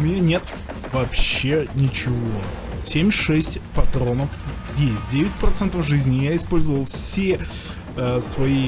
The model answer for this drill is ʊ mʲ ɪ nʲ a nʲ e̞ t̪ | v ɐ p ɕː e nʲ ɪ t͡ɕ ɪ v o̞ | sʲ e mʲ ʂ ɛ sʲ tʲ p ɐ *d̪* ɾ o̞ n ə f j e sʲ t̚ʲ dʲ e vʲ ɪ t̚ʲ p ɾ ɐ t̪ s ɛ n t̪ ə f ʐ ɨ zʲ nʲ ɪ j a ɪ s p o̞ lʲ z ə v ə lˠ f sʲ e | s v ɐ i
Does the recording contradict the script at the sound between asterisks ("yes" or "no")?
yes